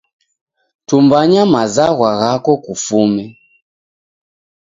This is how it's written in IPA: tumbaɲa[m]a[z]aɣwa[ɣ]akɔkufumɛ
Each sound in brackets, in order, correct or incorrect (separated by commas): correct, correct, correct